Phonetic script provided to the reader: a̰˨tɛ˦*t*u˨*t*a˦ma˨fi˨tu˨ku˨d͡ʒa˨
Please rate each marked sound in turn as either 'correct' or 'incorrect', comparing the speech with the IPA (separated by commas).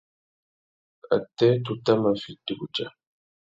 correct, correct